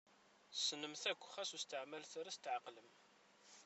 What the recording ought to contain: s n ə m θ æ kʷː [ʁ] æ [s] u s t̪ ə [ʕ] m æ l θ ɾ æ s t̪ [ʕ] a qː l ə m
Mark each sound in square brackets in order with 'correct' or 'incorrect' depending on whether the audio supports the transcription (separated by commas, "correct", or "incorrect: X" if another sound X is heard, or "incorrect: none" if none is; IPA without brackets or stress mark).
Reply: incorrect: χ, correct, correct, correct